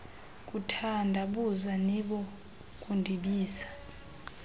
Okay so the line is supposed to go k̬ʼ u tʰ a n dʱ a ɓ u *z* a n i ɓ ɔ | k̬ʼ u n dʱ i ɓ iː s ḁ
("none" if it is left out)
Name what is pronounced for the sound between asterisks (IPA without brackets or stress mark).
z